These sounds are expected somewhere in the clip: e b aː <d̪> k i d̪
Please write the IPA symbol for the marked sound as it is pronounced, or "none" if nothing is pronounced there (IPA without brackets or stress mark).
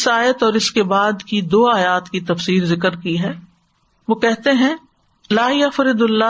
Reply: d̪